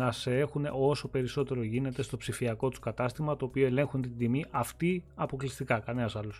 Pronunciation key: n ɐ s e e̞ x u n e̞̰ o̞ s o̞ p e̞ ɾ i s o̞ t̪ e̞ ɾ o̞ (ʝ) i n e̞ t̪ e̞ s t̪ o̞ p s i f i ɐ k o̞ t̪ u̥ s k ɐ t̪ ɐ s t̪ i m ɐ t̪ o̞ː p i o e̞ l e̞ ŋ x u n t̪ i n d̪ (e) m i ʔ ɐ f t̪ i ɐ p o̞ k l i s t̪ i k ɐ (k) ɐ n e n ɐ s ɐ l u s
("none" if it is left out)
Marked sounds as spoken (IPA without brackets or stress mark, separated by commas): ʝ, i, k